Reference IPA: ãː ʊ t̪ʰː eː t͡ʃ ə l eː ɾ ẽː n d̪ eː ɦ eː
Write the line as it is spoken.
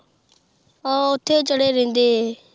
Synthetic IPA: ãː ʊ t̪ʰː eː t͡ʃ ə ɽ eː ɾ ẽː n d̪ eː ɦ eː